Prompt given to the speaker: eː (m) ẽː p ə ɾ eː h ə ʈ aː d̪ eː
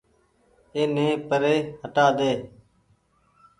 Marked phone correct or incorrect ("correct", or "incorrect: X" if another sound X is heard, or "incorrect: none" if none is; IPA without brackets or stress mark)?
incorrect: n